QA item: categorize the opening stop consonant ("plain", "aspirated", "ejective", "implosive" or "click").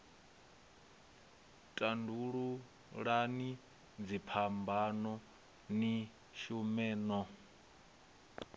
ejective